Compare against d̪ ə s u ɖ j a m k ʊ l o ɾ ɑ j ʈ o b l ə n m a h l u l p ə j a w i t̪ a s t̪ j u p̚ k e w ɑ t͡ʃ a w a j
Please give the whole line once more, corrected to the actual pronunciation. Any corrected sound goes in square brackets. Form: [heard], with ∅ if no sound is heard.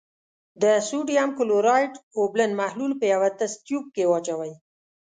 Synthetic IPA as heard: d̪ ə s u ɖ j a m k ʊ l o ɾ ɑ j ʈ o b l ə n m a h l u l p ə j a w [a] t̪ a s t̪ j u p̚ k e w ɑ t͡ʃ a w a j